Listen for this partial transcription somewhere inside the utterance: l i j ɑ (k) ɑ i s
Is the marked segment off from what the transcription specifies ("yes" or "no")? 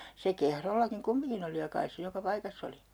no